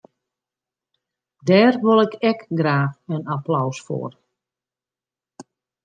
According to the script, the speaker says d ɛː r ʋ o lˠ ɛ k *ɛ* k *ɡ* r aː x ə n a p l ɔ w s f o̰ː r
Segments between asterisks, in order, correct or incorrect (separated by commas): correct, correct